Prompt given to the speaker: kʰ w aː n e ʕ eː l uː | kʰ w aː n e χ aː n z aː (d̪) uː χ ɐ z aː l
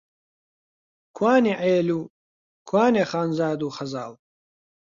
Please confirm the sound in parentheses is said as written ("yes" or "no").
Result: yes